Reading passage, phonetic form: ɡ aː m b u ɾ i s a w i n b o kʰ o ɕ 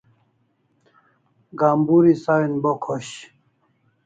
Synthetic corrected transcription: ɡ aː m b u ɾ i s a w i n b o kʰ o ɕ